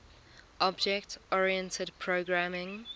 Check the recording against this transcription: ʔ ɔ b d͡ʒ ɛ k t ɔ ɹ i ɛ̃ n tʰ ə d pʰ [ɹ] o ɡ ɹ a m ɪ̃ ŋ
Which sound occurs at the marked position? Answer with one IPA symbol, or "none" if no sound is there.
ɹ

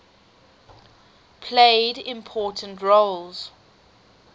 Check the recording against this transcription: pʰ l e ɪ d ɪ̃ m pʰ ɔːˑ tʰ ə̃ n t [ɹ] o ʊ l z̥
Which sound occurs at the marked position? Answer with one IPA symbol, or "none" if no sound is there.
ɹ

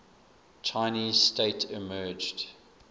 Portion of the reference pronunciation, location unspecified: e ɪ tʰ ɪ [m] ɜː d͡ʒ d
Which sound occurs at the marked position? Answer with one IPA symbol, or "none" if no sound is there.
m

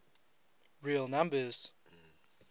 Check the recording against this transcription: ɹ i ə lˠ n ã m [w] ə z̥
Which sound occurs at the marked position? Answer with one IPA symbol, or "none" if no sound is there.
b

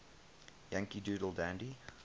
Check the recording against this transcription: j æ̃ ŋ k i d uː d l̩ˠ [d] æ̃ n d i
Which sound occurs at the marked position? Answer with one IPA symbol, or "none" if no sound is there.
d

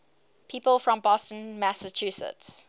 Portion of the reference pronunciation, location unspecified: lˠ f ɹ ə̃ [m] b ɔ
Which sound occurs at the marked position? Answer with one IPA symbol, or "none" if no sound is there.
m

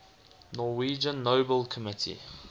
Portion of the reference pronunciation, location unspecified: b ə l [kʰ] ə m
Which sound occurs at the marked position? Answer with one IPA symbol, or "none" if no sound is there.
kʰ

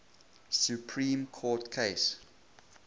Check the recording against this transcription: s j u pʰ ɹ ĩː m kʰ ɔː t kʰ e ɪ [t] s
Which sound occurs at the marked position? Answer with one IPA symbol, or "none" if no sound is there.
none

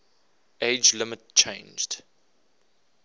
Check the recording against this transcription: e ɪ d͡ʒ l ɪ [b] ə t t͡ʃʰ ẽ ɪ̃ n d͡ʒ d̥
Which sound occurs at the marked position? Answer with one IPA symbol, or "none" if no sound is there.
m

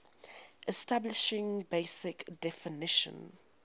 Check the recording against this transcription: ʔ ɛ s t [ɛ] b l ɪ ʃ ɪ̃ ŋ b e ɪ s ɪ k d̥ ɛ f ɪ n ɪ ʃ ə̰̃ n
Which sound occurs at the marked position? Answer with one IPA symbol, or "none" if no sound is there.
a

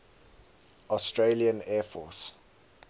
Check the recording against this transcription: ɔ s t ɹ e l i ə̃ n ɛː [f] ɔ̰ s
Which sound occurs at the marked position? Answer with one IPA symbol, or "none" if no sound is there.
f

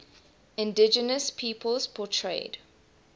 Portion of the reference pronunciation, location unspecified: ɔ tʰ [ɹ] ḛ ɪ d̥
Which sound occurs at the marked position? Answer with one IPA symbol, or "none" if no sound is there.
ɹ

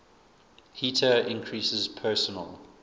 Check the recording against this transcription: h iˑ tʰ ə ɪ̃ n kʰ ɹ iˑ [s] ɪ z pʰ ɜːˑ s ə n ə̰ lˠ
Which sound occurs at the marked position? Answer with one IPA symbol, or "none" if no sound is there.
s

